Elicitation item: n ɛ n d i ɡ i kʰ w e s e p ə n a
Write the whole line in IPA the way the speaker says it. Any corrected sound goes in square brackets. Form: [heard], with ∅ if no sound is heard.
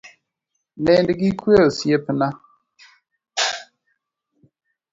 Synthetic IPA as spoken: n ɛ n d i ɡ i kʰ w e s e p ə n a